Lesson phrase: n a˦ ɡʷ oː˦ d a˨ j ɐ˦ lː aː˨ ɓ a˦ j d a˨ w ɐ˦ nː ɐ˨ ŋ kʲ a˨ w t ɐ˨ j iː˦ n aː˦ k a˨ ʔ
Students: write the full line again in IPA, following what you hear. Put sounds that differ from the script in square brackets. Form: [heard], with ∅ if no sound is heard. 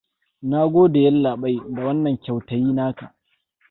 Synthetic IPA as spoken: n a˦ ɡʷ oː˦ d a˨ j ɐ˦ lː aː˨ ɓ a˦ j d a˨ w ɐ˦ nː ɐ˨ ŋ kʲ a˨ w t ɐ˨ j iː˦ n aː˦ k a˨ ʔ